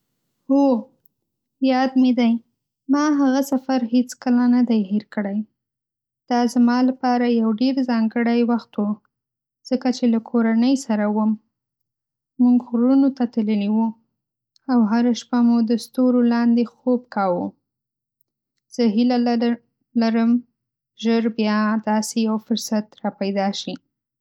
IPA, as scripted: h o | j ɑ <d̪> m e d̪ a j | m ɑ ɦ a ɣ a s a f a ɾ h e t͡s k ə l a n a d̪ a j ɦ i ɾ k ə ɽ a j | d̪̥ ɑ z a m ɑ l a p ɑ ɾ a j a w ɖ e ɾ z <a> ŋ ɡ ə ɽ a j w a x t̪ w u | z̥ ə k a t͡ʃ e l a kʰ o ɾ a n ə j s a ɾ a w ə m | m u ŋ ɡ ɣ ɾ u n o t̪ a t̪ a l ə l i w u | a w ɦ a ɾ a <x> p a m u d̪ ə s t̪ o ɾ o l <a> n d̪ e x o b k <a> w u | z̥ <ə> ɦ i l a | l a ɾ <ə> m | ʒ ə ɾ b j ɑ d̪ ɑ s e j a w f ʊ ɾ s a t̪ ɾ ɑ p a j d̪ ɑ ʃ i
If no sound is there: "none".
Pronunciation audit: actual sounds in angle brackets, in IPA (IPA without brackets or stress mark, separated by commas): d̪, ɑ, ʃ, ɑ, ɑ, ə, ə